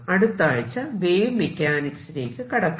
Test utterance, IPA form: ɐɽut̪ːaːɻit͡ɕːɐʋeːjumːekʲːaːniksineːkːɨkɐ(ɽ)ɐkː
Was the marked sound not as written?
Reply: no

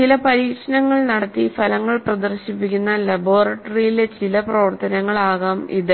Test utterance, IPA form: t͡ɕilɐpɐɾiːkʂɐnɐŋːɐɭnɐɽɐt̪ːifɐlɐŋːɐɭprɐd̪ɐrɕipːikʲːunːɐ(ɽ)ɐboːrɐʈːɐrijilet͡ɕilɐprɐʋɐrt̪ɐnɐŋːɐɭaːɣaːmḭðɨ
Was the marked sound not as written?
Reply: yes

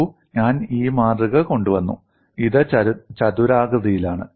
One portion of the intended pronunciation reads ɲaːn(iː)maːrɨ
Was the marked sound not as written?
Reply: no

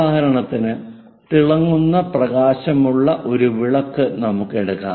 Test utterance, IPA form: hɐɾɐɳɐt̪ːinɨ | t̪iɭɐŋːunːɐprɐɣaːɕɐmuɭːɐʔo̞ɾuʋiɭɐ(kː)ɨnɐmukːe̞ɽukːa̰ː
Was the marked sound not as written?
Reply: no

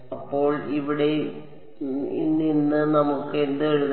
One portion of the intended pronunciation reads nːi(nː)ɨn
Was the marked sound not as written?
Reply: no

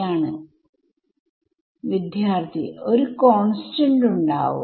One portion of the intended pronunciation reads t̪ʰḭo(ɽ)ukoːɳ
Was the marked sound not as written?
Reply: yes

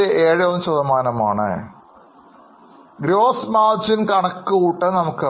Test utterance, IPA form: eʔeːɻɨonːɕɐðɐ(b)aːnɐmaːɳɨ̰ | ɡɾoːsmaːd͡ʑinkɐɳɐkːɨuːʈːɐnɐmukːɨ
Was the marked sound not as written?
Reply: yes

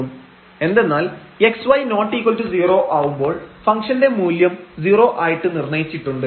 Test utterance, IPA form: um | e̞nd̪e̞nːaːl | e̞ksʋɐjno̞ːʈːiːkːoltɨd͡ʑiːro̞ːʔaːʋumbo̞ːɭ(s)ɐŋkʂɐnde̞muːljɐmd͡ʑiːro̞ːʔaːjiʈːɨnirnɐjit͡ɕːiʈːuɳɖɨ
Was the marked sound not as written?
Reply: yes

